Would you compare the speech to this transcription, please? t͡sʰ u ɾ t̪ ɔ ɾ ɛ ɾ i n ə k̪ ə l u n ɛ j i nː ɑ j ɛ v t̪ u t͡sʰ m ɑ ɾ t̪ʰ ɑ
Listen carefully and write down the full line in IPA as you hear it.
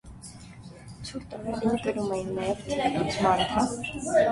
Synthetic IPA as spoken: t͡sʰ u ɾ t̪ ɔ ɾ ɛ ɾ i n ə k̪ ə ɾ u m ɛ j i nː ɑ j ɛ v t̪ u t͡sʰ m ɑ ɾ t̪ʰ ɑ